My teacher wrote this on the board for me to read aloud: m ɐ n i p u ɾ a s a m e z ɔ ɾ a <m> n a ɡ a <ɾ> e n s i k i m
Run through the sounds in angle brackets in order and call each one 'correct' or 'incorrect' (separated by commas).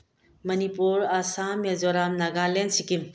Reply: correct, incorrect